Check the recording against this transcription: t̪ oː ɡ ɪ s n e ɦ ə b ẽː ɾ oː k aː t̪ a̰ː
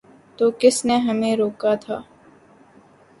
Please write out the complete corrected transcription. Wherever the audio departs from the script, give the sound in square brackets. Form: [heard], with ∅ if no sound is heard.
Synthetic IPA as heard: t̪ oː [k] ɪ s n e ɦ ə [m] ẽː ɾ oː k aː [t̪ʰ] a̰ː

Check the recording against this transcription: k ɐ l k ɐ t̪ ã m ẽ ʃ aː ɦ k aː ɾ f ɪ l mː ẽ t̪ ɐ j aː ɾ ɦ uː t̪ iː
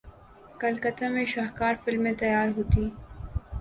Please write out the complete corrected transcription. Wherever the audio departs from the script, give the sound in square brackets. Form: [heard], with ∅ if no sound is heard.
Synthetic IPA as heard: k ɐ l k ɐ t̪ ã m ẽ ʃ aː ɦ k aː ɾ f ɪ l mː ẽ t̪ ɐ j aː ɾ ɦ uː t̪ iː

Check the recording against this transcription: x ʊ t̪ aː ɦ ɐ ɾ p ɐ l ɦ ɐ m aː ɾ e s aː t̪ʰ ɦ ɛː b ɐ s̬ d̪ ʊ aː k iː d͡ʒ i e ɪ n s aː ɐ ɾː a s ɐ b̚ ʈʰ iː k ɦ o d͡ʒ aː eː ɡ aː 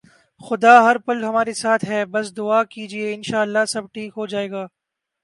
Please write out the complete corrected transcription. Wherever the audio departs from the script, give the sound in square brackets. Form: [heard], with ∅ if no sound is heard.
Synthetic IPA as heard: x ʊ [d̪] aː ɦ ɐ ɾ p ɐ l ɦ ɐ m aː ɾ e s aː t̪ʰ ɦ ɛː b ɐ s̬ d̪ ʊ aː k iː d͡ʒ i e ɪ n [ʃ] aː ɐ [lː] a s ɐ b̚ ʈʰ iː k ɦ o d͡ʒ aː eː ɡ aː

